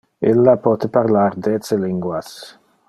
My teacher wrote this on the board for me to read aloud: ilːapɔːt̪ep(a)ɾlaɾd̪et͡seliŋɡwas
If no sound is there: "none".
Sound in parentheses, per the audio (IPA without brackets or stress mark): a